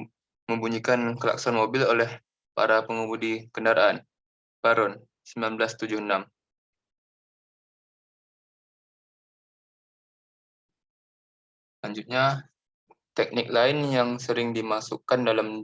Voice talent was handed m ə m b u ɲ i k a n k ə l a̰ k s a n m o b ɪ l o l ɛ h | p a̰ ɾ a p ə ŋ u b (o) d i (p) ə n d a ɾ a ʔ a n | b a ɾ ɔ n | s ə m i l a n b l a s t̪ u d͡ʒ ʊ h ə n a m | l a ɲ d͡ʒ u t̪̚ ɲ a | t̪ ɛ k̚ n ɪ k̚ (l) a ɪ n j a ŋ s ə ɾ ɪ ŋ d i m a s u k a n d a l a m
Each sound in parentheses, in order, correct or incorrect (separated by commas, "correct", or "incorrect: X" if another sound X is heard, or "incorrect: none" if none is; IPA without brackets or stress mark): incorrect: u, incorrect: k, correct